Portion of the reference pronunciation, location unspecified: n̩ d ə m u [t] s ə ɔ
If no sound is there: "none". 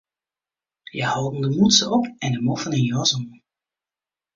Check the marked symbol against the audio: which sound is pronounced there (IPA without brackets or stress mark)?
t